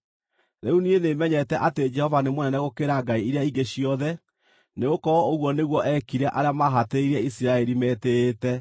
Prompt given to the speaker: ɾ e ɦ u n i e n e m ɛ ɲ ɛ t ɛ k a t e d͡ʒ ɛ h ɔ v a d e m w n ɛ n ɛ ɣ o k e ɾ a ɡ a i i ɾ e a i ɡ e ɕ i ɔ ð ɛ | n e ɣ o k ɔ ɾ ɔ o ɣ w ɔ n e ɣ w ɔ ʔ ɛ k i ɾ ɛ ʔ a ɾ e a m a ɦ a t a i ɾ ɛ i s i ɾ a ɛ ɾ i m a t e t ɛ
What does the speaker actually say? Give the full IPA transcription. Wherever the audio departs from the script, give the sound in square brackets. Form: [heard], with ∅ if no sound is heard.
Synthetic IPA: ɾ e [∅] u n i e n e m ɛ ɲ ɛ t ɛ [ʔ] a t e d͡ʒ ɛ h ɔ v a [n] e m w n ɛ n ɛ ɣ o k e ɾ a ɡ a i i ɾ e a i ɡ e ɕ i ɔ ð ɛ | n e ɣ o k ɔ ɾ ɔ o ɣ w ɔ n e ɣ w ɔ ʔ ɛ k i ɾ ɛ ʔ a ɾ e a m a ɦ a t [e] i ɾ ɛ i s i ɾ a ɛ ɾ i m [ɛ] t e t ɛ